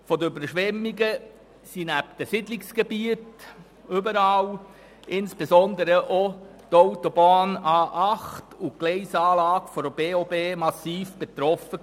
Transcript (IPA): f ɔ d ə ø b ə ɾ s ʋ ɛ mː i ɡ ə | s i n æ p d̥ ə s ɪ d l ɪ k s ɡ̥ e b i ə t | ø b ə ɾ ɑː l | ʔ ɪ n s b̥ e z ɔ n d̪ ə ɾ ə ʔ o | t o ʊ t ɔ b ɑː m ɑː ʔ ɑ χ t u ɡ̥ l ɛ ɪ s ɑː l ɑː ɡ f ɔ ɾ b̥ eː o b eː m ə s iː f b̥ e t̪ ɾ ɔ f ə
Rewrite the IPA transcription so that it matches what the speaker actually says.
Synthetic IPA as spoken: f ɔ d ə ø b ə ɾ ʃ ʋ ɛ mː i ɡ ə | s i n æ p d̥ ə s ɪ d l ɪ k s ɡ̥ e b i ə t | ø b ə ɾ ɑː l | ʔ ɪ n s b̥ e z ɔ n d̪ ə ɾ ə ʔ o | t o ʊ t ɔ b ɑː n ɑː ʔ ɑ χ t u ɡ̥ l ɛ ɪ s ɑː l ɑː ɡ f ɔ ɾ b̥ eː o b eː m ɑ s iː f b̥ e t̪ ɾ ɔ f ə

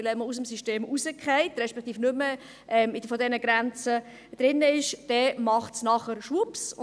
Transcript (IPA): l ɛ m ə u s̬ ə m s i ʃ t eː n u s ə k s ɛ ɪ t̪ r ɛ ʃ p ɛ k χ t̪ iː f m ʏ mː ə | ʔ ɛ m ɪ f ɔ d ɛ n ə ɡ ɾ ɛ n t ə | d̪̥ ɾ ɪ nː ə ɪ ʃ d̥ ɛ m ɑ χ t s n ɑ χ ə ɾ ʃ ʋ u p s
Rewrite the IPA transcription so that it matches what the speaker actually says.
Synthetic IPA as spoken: l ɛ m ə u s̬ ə m s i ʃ t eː m u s ə k χ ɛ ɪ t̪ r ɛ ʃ p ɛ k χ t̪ iː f n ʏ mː ə | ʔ ɛ m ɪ f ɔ d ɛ n ə ɡ ɾ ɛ n t͡s ə | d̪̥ ɾ ɪ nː ə ɪ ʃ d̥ ɛ m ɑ χ t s n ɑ χ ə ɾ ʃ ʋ u p s

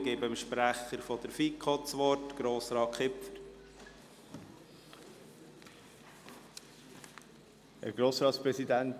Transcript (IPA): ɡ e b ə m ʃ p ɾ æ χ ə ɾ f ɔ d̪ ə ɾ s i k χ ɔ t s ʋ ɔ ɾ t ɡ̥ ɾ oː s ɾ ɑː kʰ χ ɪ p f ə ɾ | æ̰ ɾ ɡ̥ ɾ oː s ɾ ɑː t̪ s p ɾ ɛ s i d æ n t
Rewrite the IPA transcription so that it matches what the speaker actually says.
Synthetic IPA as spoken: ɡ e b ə m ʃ p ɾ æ χ ə ɾ f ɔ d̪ ə ɾ f i k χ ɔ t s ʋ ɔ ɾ t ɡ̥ ɾ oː s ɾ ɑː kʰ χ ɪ p f ə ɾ | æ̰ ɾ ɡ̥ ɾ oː s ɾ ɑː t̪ s p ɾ ɛ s i d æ n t

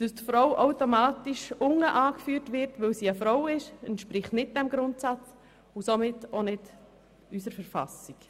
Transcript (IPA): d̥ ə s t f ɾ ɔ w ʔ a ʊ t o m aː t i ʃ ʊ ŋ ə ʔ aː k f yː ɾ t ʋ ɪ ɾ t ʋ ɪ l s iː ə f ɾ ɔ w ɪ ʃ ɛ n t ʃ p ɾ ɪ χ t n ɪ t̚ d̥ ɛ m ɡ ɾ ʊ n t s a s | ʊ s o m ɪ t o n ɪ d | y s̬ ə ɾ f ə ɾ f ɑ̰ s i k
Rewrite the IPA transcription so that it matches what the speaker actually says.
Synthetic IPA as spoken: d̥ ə s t f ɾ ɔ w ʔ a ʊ t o m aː t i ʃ ʊ ŋ ə ʔ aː k f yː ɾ t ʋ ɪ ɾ t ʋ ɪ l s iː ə f ɾ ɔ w ɪ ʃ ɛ n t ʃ p ɾ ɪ χ t n ɪ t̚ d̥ ɛ m ɡ ɾ ʊ n t s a t͡s | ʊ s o m ɪ t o n ɪ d | y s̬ ə ɾ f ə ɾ f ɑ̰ s i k

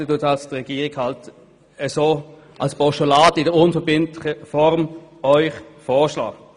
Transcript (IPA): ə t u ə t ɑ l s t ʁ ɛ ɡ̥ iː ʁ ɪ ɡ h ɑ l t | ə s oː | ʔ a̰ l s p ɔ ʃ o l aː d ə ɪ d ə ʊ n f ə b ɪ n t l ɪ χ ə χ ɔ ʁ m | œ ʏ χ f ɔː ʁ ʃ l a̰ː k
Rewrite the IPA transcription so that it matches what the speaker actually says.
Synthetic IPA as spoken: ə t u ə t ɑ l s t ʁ ɛ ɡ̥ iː ʁ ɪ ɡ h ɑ l t | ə s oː | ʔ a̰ l s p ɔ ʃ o l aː d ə ɪ d ə ʊ n f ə b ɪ n t l ɪ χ ə f ɔ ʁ m | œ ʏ χ f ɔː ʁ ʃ l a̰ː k

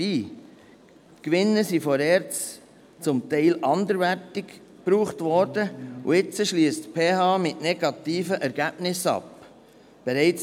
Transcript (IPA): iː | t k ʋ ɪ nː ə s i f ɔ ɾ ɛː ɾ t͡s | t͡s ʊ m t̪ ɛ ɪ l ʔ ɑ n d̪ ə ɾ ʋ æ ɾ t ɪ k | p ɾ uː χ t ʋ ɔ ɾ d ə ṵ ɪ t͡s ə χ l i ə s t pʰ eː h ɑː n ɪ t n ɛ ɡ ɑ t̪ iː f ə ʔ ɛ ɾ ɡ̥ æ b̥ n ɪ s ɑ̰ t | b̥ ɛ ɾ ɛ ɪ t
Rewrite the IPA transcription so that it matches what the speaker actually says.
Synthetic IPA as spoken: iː | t k ʋ ɪ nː ə s i f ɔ ɾ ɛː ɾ t͡s | t͡s ʊ m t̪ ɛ ɪ l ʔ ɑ n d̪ ə ɾ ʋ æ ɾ t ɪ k | p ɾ uː χ t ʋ ɔ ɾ d ə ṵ ɪ t͡s ə ʃ l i ə s t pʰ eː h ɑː m ɪ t n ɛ ɡ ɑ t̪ iː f ə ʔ ɛ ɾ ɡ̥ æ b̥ n ɪ s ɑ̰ p | b̥ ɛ ɾ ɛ ɪ t͡s

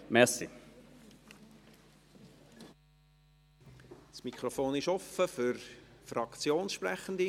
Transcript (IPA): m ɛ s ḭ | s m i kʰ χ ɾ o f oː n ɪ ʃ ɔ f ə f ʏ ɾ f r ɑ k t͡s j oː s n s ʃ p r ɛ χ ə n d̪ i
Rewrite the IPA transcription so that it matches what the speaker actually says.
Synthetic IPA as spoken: m ɛ s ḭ | s m i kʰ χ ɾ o f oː n ɪ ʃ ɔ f ə f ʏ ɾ f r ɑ k t͡s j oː n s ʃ p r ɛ χ ə n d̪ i

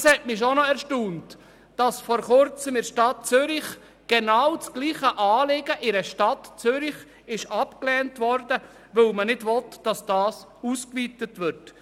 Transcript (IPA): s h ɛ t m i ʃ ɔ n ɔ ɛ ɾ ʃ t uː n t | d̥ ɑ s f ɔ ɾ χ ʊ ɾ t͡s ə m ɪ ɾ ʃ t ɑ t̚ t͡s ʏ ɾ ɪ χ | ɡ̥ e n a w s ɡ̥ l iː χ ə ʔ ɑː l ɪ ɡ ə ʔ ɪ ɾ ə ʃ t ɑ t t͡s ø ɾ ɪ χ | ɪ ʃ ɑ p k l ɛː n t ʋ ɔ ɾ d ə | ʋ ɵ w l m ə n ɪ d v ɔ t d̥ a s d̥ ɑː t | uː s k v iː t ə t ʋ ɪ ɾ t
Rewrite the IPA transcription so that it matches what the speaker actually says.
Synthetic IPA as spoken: s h ɛ t m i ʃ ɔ n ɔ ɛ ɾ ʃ t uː n t | d̥ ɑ s f ɔ ɾ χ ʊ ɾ t͡s ə m ɪ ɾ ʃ t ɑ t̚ t͡s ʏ ɾ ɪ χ | ɡ̥ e n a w t͡s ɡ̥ l iː χ ə ʔ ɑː l ɪ ɡ ə ʔ ɪ ɾ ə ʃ t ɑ t t͡s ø ɾ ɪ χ | ɪ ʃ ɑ p k l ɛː n t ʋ ɔ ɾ d ə | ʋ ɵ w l m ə n ɪ d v ɔ t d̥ ɑ s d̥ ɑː s | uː s k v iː t ə t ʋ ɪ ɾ t

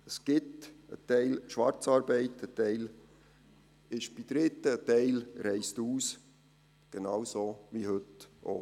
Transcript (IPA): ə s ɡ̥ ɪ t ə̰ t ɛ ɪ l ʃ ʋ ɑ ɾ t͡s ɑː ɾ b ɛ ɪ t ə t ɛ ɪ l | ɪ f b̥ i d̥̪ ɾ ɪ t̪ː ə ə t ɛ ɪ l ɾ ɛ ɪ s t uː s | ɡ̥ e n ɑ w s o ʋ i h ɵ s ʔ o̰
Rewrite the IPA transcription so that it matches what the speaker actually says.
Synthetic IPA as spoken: ə s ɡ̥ ɪ t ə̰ t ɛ ɪ l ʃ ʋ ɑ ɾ t͡s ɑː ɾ b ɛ ɪ t ə t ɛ ɪ l | ɪ ʃ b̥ i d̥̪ ɾ ɪ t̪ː ə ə t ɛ ɪ l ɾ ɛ ɪ s t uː s | ɡ̥ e n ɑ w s o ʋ i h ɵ t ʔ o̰

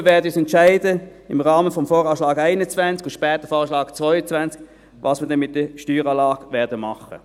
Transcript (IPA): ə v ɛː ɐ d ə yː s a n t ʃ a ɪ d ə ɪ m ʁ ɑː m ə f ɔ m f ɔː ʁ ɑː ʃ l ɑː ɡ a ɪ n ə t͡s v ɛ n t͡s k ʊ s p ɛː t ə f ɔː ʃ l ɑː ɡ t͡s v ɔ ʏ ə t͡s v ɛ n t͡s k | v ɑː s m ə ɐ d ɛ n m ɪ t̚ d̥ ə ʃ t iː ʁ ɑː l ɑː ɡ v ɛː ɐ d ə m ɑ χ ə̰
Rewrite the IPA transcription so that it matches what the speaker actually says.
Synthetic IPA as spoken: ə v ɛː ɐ d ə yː s ɛ n t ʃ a ɪ d ə ɪ m ʁ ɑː m ə f ɔ m f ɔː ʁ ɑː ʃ l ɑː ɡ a ɪ n ə t͡s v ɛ n t͡s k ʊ ʃ p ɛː t ə f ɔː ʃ l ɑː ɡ t͡s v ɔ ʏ ə t͡s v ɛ n t͡s k | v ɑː s m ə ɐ d ɛ n m ɪ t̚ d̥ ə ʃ t yː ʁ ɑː l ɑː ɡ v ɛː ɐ d ə m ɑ χ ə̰

